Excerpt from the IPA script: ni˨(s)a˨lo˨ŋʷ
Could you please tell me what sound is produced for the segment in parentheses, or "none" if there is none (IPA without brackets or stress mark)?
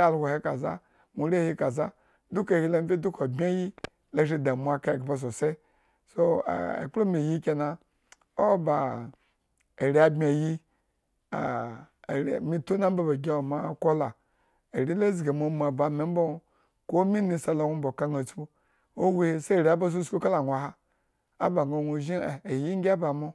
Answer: s